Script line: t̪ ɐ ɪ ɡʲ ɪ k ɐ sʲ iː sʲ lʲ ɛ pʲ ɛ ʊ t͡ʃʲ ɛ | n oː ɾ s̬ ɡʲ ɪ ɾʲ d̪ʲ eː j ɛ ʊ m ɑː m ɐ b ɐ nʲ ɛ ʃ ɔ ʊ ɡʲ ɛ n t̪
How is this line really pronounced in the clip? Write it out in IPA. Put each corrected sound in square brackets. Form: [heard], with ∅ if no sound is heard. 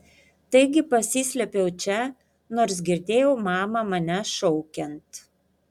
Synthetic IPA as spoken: t̪ ɐ ɪ ɡʲ ɪ [p] ɐ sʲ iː sʲ lʲ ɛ pʲ ɛ ʊ t͡ʃʲ ɛ | n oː ɾ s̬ ɡʲ ɪ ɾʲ d̪ʲ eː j ɛ ʊ m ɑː m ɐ [m] ɐ nʲ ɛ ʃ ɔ ʊ [kʲ] ɛ n t̪